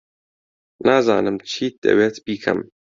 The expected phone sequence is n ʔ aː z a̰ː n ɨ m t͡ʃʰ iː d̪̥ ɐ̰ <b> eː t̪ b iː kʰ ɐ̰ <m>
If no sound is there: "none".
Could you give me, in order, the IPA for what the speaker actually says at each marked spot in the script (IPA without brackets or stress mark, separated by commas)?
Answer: w, m